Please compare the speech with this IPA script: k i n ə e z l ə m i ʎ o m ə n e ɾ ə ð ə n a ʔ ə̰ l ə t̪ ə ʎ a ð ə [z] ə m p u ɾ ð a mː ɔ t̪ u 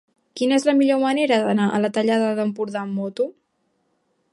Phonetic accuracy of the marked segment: incorrect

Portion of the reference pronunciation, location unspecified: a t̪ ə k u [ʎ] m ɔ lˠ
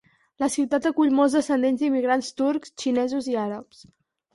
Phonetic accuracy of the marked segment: correct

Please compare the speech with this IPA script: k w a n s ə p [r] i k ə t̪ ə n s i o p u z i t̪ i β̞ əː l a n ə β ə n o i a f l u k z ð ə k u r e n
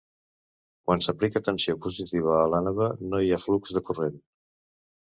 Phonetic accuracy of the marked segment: incorrect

